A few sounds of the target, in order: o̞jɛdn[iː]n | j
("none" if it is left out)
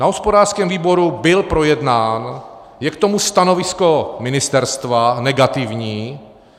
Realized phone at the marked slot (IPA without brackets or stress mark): aː